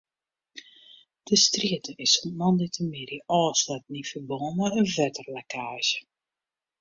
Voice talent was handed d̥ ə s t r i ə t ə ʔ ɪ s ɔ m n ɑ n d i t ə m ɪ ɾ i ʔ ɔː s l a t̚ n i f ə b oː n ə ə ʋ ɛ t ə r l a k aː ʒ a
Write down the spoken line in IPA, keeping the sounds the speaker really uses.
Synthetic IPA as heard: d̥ ə s t r i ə t ə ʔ ɪ s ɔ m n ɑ n d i t ə m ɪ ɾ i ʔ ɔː s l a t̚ n i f ə b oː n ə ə v ɛ t ə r l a k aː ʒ ə